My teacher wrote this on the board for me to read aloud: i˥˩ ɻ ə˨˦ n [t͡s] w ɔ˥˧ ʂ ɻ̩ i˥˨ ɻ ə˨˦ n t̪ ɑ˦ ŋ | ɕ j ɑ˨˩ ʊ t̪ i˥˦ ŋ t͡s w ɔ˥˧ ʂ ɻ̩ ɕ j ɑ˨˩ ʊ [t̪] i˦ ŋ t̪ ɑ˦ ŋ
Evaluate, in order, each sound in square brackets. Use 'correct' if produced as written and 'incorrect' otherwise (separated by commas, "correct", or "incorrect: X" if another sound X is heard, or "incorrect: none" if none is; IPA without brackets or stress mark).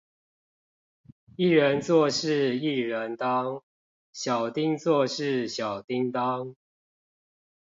correct, correct